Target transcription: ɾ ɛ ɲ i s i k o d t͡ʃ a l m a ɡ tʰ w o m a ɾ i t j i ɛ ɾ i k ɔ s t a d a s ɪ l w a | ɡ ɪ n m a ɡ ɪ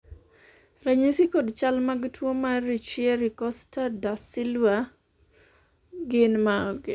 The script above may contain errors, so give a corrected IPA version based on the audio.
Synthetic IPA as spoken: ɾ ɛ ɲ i s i k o d t͡ʃ a l m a ɡ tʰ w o m a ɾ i t͡ʃ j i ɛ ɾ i k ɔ s t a d a s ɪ l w a | ɡ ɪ n m a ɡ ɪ

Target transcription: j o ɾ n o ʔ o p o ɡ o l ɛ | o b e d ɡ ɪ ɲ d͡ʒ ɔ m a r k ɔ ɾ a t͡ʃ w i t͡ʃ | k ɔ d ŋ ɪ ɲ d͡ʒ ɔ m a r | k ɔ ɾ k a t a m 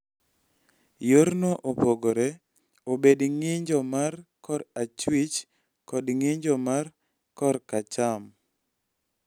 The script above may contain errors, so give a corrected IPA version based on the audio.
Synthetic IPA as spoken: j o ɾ n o ʔ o p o ɡ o ɾ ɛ | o b e d ŋ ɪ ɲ d͡ʒ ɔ m a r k ɔ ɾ a t͡ʃ w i t͡ʃ | k ɔ d ŋ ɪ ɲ d͡ʒ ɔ m a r | k ɔ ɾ k a t͡ʃ a m

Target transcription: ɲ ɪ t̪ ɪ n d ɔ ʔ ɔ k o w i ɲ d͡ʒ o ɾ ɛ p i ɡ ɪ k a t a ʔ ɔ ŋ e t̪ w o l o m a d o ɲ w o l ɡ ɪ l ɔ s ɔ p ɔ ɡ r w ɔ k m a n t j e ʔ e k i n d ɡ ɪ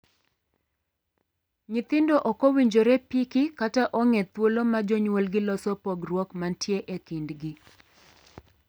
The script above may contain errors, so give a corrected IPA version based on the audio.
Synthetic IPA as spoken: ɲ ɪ t̪ ɪ n d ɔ ʔ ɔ k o w i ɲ d͡ʒ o ɾ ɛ p i k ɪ k a t a ʔ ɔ ŋ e t̪ w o l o m a d͡ʒ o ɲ w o l ɡ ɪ l ɔ s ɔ p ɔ ɡ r w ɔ k m a n t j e ʔ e k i n d ɡ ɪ

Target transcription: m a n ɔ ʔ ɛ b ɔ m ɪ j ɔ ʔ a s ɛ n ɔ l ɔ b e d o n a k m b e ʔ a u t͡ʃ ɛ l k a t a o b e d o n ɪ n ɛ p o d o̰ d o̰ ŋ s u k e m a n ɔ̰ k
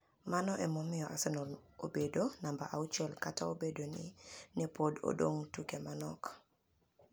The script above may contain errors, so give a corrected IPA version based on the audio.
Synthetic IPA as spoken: m a n ɔ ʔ ɛ m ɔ m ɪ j ɔ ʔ a s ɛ n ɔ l o b e d o n a m b a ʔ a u t͡ʃ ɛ l k a t a o b e d o n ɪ n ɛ p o d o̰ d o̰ ŋ t u k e m a n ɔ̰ k

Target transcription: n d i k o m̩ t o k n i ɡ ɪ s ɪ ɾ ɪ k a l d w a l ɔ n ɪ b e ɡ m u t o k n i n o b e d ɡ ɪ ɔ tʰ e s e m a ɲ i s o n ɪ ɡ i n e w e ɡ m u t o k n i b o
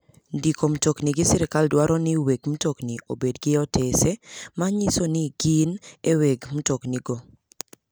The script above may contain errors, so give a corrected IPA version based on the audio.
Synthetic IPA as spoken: n d i k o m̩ t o k n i ɡ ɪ s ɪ ɾ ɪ k a l d w a ɾ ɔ n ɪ w e ɡ m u t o k n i o b e d ɡ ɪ ɔ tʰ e s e m a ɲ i s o n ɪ ɡ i n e w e ɡ m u t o k n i ɡ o

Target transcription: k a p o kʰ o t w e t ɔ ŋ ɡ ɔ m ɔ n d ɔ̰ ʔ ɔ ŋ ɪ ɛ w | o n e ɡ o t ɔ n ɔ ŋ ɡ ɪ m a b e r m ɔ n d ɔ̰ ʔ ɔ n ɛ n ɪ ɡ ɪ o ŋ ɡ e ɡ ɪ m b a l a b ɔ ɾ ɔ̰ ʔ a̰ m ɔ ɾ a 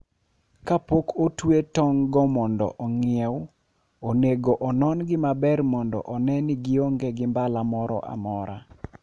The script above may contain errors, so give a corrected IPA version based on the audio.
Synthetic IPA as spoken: k a p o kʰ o t w e t ɔ ŋ ɡ ɔ m ɔ n d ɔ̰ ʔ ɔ ŋ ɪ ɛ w | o n e ɡ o ʔ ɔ n ɔ n ɡ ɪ m a b ɛ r m ɔ n d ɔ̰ ʔ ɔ n ɛ n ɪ ɡ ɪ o ŋ ɡ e ɡ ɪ m b a l a m ɔ ɾ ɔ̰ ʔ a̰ m ɔ ɾ a

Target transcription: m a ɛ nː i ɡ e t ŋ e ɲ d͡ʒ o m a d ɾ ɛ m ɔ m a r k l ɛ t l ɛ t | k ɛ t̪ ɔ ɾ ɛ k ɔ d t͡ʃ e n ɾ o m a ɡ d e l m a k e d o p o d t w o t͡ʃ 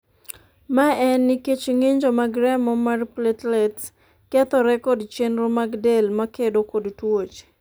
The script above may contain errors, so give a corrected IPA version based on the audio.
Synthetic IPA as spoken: m a ɛ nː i k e t͡ʃ ŋ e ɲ d͡ʒ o m a ɡ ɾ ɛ m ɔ m a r p l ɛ t l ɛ t | k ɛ t̪ ɔ ɾ ɛ k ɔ d t͡ʃ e n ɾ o m a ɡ d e l m a k e d o k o d t w o t͡ʃ

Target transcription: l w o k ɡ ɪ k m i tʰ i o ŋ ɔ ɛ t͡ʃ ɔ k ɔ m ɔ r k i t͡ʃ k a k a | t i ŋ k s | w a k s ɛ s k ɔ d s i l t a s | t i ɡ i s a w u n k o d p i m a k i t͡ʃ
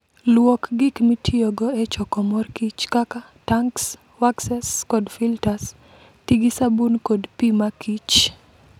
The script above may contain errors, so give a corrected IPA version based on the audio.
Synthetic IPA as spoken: l w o k ɡ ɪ k m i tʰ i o ɡ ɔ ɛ t͡ʃ ɔ k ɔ m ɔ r k i t͡ʃ k a k a | t a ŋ k s | w a k s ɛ s k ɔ d f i l t a s | t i ɡ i s a b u n k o d p i m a k i t͡ʃ

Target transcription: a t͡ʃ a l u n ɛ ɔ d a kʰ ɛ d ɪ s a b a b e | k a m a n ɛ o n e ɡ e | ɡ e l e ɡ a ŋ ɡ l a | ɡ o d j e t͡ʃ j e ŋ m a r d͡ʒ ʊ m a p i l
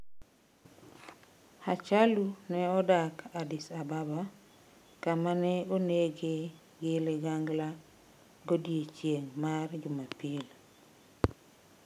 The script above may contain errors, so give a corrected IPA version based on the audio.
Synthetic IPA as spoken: a t͡ʃ a l u n ɛ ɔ d a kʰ a d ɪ s a b a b a | k a m a n ɛ o n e ɡ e | ɡ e l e ɡ a ŋ ɡ l a | ɡ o d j e t͡ʃ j e ŋ m a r d͡ʒ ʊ m a p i l

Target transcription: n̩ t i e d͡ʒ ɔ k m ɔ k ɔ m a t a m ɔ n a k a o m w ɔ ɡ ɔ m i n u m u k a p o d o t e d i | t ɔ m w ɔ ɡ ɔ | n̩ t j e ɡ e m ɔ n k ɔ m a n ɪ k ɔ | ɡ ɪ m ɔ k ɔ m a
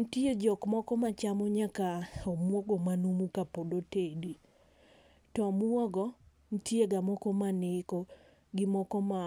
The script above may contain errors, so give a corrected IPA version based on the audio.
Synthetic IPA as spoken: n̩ t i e d͡ʒ ɔ k m ɔ k ɔ m a t͡ʃ a m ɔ ɲ a k a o m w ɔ ɡ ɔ m a n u m u k a p o d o t e d i | t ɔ m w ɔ ɡ ɔ | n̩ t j e ɡ a m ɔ k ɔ m a n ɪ k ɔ | ɡ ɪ m ɔ k ɔ m a

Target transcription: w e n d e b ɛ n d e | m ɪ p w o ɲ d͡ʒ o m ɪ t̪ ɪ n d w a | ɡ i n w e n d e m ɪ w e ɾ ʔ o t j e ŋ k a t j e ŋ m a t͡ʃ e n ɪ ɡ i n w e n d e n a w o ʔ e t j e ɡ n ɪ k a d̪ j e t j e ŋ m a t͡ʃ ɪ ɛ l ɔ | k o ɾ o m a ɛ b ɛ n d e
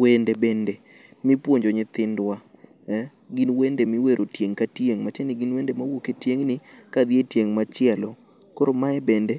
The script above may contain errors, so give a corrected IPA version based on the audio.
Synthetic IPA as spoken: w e n d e b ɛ n d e | m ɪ p w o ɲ d͡ʒ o ɲ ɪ t̪ ɪ n d w a | ɡ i n w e n d e m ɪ w e ɾ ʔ o t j e ŋ k a t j e ŋ m a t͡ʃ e n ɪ ɡ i n w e n d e m a w o k e t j e ŋ n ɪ k a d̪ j e t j e ŋ m a t͡ʃ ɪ ɛ l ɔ | k o ɾ o m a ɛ b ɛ n d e

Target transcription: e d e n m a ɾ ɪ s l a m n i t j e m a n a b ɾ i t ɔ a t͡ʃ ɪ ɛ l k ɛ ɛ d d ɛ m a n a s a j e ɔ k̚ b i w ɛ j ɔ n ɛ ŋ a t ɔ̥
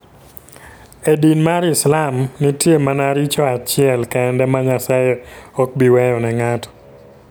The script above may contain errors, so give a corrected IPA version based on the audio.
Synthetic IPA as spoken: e d i n m a ɾ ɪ s l a m n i t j e m a n a ɾ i t͡ʃ ɔ a t͡ʃ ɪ ɛ l k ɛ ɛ n d ɛ m a ɲ a s a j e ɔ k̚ b i w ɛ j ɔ n ɛ ŋ a t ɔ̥

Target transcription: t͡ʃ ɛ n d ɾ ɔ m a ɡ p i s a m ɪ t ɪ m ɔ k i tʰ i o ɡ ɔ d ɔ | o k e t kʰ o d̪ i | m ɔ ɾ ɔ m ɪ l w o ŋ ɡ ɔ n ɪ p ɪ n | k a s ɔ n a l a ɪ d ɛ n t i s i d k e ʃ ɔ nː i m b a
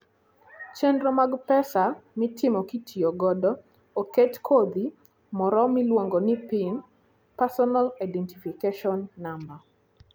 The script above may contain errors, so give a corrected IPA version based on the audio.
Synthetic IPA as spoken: t͡ʃ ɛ n d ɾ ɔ m a ɡ p ɛ s a m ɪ t ɪ m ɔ k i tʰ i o ɡ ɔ d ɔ | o k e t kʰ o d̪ i | m ɔ ɾ ɔ m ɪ l w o ŋ ɡ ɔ n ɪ p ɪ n | p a s ɔ n a l a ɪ d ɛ n t i f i k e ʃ ɔ nː a m b a

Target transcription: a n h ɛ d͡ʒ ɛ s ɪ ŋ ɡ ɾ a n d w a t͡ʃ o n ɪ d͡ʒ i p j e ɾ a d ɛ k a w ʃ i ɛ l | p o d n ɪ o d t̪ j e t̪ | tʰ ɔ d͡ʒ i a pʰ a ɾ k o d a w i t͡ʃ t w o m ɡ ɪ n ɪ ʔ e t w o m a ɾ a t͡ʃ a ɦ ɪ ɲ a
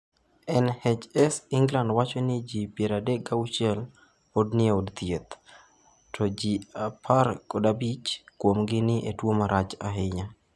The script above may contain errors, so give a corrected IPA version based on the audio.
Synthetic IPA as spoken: ɛ n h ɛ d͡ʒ ɛ s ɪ ŋ ɡ l a n d w a t͡ʃ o n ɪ d͡ʒ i p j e ɾ a d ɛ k a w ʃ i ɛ l | p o d n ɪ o d t̪ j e t̪ | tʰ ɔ d͡ʒ i a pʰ a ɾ k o d a b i t͡ʃ k w o m ɡ ɪ n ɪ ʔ e t w o m a ɾ a t͡ʃ a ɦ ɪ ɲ a

